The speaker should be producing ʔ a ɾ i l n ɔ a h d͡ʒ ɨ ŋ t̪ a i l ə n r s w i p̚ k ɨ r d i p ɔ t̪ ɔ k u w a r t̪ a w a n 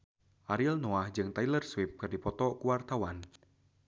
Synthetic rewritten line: ʔ a ɾ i l n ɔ a h d͡ʒ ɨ ŋ t̪ a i l ə r s w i p̚ k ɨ r d i p ɔ t̪ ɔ k u w a r t̪ a w a n